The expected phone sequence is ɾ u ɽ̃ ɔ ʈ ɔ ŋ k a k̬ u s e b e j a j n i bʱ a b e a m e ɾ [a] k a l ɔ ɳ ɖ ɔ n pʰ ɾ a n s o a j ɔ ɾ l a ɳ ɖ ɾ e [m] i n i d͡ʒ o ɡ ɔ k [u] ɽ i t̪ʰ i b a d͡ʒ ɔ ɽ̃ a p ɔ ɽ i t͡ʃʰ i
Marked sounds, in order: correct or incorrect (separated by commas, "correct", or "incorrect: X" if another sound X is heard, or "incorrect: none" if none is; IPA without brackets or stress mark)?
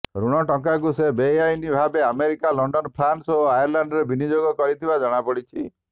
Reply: incorrect: i, incorrect: b, incorrect: ɔ